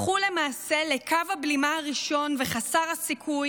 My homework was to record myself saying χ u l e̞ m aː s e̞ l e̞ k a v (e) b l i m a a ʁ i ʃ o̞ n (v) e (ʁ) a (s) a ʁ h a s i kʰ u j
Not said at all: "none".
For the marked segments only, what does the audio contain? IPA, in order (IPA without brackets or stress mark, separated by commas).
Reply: a, v, χ, s